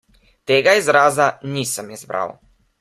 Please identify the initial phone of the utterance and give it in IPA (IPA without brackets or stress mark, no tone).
t̪